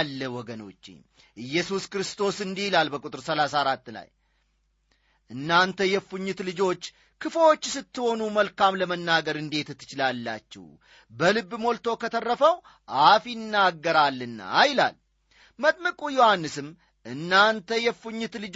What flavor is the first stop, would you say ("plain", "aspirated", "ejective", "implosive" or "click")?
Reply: plain